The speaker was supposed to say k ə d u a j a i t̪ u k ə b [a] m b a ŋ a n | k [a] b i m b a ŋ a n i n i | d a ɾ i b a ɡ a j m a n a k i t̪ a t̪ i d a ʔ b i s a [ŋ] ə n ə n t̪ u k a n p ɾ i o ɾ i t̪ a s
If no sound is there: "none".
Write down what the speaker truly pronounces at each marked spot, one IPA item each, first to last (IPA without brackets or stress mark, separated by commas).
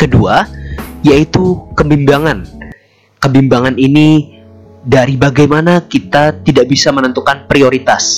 i, ə, m